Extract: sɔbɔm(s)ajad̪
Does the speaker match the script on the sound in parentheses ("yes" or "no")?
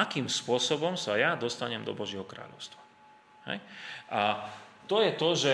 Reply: yes